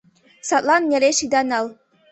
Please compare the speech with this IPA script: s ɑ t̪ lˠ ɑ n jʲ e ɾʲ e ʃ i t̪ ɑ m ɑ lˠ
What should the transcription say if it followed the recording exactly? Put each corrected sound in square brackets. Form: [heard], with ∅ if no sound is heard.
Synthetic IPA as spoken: s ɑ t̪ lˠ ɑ n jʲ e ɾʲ e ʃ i [d̪] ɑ [n] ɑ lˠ